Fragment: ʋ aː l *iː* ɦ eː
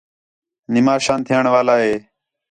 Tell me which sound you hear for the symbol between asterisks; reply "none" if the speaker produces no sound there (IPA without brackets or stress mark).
aː